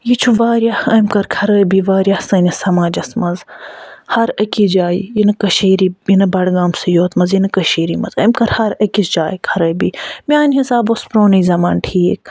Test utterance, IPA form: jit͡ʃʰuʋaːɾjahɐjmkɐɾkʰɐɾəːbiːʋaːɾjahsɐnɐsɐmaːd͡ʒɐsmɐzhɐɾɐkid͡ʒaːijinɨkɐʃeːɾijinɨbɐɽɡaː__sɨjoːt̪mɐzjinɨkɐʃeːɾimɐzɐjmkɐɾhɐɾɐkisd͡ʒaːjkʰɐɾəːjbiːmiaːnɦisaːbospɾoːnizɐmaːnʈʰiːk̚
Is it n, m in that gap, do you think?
m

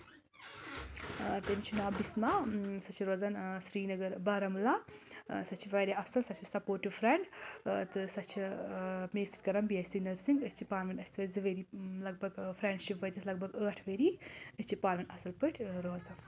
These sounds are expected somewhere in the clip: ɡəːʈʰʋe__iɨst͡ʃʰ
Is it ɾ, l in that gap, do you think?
ɾ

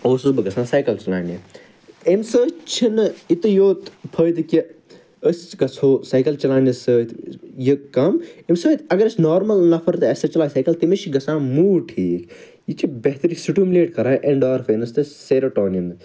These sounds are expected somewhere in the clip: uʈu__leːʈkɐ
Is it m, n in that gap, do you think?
m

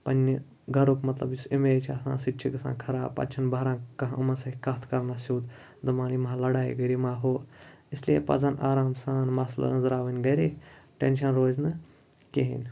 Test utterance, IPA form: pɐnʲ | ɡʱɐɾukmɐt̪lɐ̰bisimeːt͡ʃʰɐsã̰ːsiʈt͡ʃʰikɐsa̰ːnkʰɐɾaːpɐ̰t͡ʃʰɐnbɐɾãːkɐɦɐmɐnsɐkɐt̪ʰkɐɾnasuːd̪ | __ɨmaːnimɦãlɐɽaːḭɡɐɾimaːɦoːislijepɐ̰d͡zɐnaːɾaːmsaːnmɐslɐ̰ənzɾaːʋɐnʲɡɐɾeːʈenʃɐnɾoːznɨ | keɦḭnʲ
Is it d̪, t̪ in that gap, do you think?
d̪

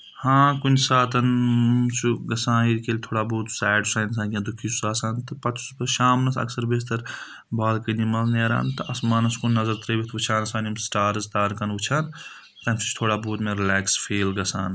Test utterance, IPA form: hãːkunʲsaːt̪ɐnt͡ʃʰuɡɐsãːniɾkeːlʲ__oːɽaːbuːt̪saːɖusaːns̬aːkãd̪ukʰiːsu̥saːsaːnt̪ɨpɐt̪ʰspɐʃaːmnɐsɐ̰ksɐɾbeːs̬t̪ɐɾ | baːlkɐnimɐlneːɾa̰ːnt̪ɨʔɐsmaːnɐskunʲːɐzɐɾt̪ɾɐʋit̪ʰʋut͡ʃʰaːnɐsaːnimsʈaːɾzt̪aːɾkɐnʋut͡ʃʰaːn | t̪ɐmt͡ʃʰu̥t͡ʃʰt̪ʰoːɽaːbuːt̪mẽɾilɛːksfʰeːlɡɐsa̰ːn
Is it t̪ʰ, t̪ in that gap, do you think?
t̪ʰ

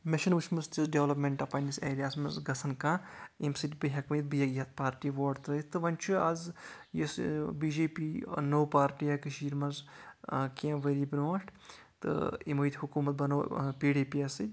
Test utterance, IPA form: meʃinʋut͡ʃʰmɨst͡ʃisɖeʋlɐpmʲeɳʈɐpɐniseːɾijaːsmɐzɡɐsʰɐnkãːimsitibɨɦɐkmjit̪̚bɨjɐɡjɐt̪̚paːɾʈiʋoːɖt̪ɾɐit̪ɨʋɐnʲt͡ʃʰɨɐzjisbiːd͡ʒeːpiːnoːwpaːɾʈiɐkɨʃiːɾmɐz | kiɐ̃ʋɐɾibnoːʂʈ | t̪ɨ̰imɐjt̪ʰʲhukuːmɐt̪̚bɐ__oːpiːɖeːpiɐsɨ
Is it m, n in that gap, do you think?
n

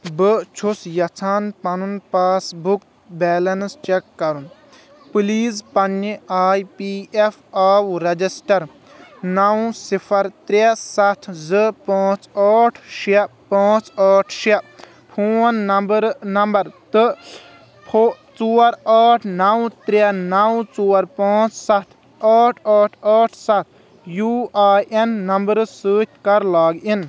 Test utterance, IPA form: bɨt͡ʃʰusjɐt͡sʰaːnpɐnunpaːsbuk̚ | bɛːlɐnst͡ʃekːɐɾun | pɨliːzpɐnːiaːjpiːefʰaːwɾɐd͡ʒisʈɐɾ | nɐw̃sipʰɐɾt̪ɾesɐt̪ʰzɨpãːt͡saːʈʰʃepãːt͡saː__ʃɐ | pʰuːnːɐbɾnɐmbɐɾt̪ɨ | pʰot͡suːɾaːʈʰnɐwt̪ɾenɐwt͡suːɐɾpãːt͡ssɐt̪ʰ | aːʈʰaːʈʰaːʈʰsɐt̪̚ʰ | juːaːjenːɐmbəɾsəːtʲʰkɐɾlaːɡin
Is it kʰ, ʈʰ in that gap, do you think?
ʈʰ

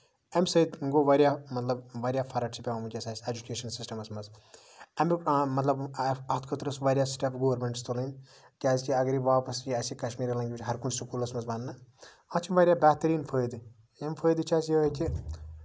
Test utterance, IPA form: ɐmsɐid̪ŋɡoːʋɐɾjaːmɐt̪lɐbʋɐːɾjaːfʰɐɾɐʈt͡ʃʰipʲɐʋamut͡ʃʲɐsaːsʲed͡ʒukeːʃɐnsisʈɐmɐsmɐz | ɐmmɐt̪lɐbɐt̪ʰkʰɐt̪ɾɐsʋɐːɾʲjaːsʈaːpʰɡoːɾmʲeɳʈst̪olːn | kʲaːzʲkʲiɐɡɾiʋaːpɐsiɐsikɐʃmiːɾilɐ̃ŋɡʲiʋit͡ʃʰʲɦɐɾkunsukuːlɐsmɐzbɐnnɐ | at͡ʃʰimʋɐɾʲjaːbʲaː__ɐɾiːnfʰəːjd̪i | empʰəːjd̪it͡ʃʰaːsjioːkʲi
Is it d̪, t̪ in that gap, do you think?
t̪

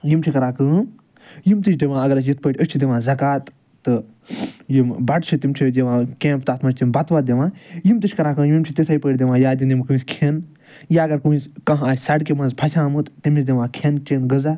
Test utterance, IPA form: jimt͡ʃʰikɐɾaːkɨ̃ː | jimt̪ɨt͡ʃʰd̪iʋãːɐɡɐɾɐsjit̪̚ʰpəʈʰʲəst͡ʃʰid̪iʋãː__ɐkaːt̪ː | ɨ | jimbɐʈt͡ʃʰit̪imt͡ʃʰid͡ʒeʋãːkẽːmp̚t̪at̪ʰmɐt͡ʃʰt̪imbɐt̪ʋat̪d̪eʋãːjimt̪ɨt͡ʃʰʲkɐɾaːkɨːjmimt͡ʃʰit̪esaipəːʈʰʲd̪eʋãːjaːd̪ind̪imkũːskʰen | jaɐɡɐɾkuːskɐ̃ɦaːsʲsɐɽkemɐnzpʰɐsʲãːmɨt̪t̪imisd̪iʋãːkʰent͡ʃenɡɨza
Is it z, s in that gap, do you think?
z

